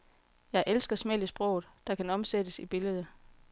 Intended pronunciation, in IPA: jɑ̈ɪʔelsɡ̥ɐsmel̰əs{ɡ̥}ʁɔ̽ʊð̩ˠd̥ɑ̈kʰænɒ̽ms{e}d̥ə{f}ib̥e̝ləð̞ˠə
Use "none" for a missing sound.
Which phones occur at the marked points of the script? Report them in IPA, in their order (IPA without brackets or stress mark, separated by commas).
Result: b̥, e, s